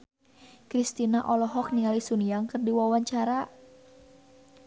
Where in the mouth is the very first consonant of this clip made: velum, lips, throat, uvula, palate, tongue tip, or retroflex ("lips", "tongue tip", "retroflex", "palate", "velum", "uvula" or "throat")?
velum